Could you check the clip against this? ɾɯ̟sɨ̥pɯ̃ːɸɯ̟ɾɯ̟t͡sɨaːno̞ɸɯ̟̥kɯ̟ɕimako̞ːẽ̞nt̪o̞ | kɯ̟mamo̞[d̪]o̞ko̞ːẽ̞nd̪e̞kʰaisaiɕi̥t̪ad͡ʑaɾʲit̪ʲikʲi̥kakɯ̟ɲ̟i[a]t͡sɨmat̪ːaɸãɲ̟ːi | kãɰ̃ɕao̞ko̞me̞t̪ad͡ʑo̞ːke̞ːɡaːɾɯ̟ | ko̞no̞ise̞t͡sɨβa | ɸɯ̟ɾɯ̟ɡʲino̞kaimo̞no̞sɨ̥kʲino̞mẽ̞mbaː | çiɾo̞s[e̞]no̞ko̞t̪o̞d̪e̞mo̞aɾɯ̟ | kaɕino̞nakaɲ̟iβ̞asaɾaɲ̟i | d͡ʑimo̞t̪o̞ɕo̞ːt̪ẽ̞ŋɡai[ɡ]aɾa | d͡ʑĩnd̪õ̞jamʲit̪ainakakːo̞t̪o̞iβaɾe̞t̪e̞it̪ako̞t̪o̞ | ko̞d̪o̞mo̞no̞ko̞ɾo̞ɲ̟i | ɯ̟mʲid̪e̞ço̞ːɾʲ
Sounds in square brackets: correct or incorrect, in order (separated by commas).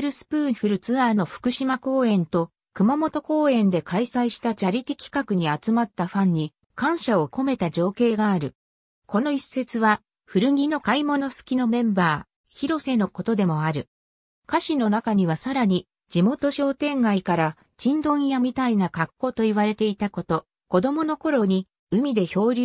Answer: incorrect, correct, correct, incorrect